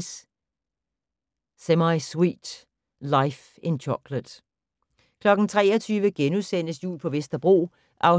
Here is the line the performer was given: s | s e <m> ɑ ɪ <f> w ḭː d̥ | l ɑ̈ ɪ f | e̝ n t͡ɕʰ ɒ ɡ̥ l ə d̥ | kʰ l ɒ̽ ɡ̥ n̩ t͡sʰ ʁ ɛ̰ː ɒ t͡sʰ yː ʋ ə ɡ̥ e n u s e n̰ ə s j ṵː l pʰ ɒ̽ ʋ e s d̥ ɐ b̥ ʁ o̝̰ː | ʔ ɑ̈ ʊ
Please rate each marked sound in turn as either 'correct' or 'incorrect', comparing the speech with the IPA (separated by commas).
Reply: correct, incorrect